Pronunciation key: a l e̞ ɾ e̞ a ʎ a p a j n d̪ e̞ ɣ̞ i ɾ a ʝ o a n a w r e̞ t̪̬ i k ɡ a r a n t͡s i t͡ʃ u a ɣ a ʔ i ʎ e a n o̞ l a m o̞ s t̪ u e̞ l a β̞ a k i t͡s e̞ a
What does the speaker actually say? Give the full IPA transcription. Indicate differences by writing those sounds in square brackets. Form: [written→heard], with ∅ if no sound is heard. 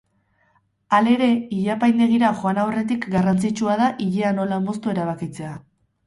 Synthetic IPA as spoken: a l e̞ ɾ e̞ [a→i] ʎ a p a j n d̪ e̞ ɣ̞ i ɾ a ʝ o a n a w r e̞ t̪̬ i k ɡ a r a n t͡s i t͡ʃ u a [ɣ→ð] a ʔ i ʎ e a n o̞ l a m o̞ s t̪ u e̞ [l→ɾ] a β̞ a k i t͡s e̞ a